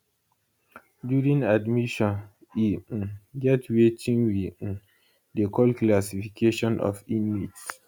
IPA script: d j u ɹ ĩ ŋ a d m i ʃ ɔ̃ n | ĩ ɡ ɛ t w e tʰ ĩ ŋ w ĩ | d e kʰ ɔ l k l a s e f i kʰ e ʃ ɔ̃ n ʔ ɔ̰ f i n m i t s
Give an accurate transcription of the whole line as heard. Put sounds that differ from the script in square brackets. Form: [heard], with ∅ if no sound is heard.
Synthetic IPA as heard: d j u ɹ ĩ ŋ a d m i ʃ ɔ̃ n | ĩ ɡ ɛ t w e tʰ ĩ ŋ w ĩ | d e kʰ ɔ l k l a s [i] f i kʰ e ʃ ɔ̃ n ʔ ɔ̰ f i n m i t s

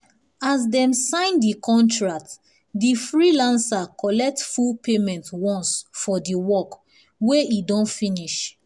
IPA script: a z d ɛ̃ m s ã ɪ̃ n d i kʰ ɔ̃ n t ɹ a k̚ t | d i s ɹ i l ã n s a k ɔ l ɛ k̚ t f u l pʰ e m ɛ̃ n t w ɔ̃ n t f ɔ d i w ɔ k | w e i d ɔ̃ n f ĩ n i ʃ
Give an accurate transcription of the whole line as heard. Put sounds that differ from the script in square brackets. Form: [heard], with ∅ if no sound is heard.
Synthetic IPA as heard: a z d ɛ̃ m s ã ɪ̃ n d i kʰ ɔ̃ n t ɹ a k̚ t | d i [f] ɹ i l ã n s a k ɔ l ɛ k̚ t f u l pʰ e m ɛ̃ n t w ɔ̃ n [s] f ɔ d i w ɔ k | w e i d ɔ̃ n f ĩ n i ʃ

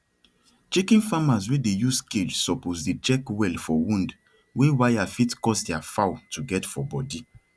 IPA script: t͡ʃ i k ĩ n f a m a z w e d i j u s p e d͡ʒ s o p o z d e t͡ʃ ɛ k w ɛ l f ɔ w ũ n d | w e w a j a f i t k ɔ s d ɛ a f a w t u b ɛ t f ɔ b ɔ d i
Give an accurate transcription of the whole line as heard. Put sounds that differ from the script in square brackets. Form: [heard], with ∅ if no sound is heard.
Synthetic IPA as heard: t͡ʃ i k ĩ n f a m a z w e d [e] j u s [k] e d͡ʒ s [ɔ] p o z d e t͡ʃ ɛ k w ɛ l f ɔ w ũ n d | w e w a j a f i t k ɔ s d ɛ a f a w t u [ɡ] ɛ t f ɔ b ɔ d i

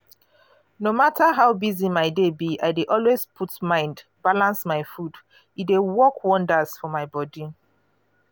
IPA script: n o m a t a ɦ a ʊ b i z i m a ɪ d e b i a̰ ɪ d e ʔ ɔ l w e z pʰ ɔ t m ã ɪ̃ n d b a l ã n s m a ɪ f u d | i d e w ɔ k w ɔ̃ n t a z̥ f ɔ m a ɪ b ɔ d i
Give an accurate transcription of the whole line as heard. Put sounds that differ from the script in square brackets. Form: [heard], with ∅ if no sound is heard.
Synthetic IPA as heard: n o m a t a ɦ a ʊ b i z i m a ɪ d e b i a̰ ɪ d e ʔ ɔ l w e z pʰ [u] t m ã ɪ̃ n d b a l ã n s m a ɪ f u d | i d e w ɔ k w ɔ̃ n [d] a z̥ f ɔ m a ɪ b ɔ d i

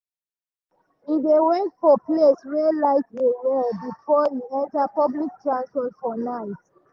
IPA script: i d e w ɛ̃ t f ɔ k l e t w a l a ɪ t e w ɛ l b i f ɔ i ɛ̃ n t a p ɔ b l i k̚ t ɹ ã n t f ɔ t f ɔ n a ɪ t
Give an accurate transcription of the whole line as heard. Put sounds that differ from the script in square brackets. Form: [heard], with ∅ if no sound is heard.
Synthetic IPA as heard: i d e w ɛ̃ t f ɔ [p] l e [s] w [ɛ] l a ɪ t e w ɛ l b i f ɔ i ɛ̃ n t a p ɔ b l i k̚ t ɹ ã n [s] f ɔ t f ɔ n a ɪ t

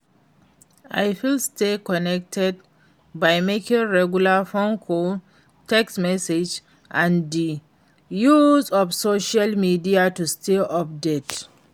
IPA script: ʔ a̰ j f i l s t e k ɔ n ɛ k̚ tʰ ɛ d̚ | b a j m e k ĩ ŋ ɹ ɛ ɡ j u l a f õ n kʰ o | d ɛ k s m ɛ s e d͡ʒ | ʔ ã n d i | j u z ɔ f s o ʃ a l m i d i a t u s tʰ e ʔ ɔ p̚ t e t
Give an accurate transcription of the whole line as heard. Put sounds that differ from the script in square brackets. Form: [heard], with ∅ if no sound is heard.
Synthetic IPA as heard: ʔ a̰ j f i l s t e k ɔ n ɛ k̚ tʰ ɛ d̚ | b a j m e k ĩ ŋ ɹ ɛ ɡ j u l a f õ n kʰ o | [t] ɛ k s m ɛ s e d͡ʒ | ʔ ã n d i | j u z ɔ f s o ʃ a l m i d i a t u s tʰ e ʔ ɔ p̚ [d] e t

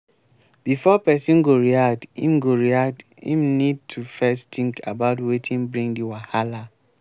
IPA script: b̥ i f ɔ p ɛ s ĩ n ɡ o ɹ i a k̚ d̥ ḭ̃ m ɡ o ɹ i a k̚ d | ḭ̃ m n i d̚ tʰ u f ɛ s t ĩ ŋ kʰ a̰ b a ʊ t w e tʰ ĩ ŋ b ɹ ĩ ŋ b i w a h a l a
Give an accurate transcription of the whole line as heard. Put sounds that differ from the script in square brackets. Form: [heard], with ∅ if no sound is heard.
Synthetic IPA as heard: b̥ i f ɔ p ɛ s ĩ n ɡ o ɹ i a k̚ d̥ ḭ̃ m ɡ o ɹ i a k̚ d | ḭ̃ m n i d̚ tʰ u f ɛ s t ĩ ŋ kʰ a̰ b a ʊ t w e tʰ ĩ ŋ b ɹ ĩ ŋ [d] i w a h a l a

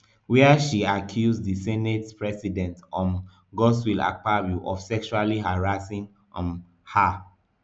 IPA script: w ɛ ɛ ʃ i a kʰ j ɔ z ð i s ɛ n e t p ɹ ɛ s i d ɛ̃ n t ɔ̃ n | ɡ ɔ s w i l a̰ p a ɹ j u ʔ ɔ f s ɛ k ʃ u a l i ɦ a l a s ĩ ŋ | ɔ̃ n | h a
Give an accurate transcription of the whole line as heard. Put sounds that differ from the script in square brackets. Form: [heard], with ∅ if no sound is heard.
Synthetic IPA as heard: w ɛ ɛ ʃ i a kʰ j [u] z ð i s ɛ n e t p ɹ ɛ s i d ɛ̃ n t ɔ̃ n | ɡ ɔ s w i l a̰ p a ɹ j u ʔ ɔ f s ɛ k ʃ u a l i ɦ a [ɹ] a s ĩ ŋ | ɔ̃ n | h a

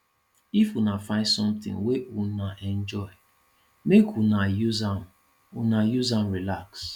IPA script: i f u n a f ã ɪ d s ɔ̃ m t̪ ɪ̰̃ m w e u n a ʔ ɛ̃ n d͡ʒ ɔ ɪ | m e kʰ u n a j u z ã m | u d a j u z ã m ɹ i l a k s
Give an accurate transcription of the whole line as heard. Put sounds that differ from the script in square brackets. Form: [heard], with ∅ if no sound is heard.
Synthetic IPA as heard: i f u n a f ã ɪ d s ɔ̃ m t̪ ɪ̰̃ [ŋ] w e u n a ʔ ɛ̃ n d͡ʒ ɔ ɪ | m e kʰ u n a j u z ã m | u [n] a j u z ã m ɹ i l a k s

